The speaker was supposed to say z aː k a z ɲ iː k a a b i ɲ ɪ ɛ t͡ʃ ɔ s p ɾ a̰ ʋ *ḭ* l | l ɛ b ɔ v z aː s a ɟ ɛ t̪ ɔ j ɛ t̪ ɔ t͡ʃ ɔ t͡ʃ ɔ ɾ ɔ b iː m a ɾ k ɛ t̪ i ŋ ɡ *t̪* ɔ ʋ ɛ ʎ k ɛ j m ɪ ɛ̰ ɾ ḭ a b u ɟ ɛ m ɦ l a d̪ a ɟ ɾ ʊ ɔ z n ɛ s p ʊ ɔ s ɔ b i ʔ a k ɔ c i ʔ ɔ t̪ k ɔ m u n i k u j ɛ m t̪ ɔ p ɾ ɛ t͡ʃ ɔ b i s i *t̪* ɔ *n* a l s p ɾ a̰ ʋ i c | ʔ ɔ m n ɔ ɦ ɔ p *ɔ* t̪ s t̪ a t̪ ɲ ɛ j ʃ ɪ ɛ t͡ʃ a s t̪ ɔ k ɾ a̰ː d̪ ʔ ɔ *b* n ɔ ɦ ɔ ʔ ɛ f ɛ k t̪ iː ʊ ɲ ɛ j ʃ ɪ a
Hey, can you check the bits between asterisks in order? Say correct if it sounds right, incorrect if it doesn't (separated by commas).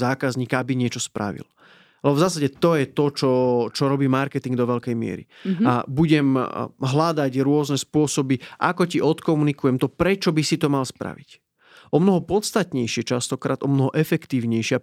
correct, incorrect, correct, incorrect, correct, incorrect